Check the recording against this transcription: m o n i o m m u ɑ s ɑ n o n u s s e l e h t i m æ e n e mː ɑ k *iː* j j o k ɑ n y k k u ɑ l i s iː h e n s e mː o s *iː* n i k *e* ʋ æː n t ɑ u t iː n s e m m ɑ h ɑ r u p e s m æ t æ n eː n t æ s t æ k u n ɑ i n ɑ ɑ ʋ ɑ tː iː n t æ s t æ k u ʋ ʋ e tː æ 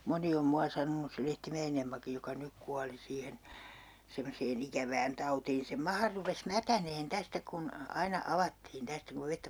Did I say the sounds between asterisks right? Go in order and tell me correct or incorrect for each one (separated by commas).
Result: incorrect, incorrect, incorrect